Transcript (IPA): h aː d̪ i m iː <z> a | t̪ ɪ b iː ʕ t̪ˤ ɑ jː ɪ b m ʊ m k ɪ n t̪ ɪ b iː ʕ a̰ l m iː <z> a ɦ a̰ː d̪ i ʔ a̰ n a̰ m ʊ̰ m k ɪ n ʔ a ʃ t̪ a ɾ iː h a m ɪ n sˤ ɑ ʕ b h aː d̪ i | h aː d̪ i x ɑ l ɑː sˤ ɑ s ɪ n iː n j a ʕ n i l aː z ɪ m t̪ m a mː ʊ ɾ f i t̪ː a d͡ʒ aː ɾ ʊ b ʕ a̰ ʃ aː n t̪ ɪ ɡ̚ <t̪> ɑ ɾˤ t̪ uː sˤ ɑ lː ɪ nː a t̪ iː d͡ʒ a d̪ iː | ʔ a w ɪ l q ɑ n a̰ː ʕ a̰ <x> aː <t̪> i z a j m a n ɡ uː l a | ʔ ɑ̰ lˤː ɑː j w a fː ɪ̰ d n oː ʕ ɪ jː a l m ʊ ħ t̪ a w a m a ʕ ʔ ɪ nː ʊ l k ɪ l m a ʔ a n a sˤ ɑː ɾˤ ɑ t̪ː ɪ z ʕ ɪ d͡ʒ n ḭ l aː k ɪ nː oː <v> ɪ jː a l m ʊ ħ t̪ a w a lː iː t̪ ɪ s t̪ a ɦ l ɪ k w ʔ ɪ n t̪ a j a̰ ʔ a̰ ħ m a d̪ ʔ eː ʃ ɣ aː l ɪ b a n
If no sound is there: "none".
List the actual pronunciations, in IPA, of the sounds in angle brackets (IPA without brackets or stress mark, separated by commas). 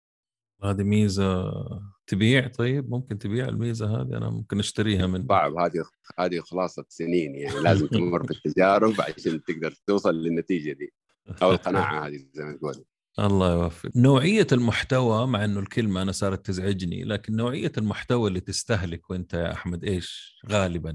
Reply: z, z, d̪, h, d̪, ʕ